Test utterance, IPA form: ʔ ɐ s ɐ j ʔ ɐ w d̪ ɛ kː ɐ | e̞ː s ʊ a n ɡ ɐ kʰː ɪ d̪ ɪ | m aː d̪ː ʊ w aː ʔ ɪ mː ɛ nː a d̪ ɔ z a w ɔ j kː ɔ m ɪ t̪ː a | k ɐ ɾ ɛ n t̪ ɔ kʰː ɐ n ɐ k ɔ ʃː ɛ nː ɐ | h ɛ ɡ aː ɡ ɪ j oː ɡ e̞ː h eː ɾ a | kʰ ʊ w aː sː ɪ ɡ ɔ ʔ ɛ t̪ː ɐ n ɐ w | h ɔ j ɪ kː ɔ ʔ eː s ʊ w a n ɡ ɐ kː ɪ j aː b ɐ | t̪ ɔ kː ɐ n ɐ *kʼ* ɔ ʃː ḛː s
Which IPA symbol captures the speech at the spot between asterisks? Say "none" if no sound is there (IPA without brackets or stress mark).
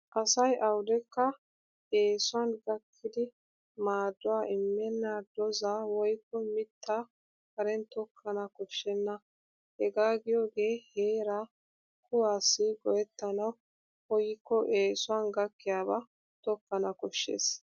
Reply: k